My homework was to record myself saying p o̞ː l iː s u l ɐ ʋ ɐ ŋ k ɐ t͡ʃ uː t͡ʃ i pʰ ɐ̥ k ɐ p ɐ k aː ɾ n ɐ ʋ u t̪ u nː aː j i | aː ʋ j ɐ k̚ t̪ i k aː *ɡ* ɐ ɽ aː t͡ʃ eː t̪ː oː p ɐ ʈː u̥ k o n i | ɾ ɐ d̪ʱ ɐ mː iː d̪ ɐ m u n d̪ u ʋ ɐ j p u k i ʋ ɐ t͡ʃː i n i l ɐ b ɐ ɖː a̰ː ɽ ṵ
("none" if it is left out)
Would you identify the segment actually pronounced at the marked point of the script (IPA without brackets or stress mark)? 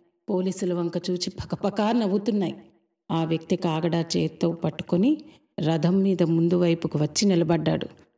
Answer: ɡ